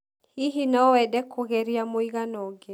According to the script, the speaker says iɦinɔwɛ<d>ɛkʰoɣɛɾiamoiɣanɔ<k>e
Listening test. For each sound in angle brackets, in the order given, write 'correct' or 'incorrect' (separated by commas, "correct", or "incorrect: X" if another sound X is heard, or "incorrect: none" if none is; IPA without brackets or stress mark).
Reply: correct, incorrect: ɡ